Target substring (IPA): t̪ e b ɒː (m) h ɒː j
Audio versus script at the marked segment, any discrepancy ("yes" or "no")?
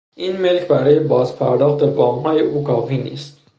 no